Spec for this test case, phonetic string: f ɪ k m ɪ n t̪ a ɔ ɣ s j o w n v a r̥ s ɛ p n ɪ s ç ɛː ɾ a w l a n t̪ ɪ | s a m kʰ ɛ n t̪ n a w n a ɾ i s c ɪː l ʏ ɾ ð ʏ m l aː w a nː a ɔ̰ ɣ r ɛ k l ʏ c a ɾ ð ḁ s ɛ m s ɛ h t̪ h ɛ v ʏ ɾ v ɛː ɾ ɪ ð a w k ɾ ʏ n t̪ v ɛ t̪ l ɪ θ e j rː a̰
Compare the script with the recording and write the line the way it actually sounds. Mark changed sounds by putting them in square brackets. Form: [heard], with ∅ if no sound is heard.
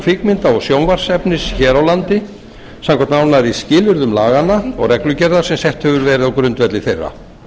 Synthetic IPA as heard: f ɪ k m ɪ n t̪ a ɔ ɣ s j o w n v a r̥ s ɛ p n ɪ s ç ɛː ɾ a w l a n t̪ ɪ | s a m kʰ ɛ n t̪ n a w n a ɾ i s c ɪː l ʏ ɾ ð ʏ m l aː [ɣ] a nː a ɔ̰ ɣ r ɛ k l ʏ c [ɛ] ɾ ð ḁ s ɛ m s ɛ h t̪ h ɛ v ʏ ɾ v ɛː ɾ ɪ ð a w k ɾ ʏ n t̪ v ɛ t̪ l ɪ θ e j rː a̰